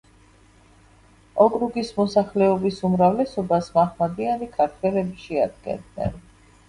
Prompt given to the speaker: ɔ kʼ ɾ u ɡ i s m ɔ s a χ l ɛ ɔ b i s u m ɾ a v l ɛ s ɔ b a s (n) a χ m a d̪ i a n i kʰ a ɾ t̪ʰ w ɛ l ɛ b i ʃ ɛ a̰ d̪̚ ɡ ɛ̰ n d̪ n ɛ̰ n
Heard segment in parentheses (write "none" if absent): m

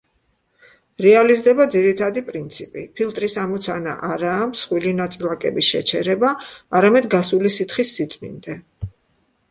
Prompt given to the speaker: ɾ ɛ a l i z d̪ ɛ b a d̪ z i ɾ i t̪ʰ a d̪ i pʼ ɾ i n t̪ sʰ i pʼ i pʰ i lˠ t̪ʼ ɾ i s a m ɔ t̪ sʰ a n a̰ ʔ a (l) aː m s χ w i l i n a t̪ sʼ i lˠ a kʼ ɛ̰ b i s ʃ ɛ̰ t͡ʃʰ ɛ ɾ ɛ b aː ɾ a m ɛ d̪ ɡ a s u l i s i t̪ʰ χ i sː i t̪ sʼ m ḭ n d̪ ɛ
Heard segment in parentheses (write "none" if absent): ɾ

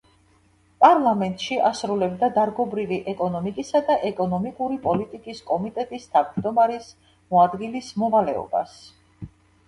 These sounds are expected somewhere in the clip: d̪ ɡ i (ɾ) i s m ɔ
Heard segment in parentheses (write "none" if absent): l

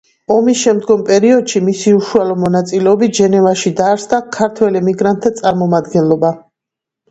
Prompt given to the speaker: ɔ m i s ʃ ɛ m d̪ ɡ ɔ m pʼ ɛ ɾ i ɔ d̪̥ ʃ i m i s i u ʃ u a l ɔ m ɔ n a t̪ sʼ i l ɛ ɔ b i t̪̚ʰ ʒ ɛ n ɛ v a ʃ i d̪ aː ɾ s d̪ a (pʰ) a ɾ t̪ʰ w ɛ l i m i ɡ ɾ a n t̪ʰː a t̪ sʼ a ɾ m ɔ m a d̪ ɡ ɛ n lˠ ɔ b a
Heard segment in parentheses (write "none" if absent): kʰ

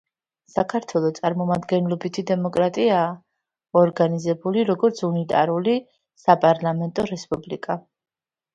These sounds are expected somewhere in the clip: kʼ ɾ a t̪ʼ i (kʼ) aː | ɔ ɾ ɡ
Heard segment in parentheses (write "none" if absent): none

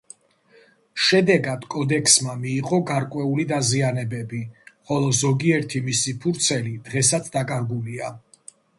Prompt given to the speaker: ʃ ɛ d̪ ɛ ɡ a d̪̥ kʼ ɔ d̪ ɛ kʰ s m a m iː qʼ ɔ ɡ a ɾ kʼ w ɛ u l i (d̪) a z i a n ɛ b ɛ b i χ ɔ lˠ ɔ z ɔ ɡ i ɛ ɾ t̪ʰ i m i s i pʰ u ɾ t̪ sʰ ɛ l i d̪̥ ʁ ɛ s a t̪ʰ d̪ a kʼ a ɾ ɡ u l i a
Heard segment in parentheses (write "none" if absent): d̪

